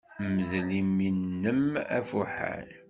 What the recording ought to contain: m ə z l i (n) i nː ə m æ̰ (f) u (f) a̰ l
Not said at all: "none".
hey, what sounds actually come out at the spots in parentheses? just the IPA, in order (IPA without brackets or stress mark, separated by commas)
m, f, ħ